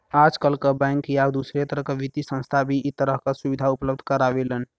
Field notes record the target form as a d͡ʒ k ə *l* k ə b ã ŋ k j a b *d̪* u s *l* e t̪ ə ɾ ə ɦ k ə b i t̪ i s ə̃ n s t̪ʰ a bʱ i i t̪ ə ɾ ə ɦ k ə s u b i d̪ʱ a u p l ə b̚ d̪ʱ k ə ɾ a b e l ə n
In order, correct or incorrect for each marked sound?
correct, correct, incorrect: ɾ

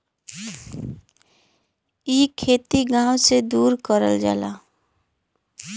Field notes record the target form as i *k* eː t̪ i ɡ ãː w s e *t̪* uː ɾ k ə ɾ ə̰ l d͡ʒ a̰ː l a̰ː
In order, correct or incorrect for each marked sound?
incorrect: kʰ, incorrect: d̪

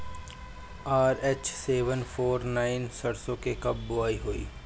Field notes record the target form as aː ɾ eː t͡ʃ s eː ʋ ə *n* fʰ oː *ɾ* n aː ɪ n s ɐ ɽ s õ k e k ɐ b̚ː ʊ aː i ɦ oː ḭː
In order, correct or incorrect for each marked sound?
correct, correct

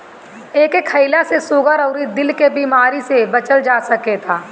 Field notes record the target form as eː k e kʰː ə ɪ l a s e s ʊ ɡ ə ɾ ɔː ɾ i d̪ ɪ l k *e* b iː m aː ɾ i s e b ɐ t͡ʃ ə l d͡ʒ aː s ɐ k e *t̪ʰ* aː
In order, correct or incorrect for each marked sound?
correct, correct

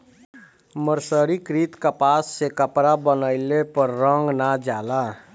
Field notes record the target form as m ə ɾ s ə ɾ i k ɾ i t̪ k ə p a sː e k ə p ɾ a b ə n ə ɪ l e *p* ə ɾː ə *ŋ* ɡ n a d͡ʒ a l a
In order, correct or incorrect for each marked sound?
correct, correct

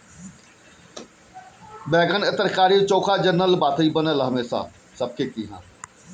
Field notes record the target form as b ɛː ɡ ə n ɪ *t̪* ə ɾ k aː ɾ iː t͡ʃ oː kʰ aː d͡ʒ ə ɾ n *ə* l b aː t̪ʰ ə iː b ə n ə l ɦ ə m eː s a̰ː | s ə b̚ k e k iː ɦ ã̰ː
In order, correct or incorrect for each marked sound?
correct, correct

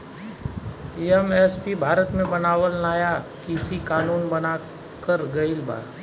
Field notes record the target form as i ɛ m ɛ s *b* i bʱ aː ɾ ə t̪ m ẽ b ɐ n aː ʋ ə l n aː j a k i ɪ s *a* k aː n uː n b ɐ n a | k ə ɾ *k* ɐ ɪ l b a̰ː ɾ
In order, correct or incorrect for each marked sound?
incorrect: p, incorrect: i, incorrect: ɡ

